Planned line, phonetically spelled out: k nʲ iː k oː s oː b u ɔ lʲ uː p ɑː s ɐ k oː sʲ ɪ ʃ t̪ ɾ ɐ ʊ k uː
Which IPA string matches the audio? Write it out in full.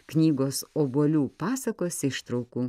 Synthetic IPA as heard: k nʲ iː ɡ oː s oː b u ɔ lʲ uː p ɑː s ɐ k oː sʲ ɪ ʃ t̪ ɾ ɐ ʊ k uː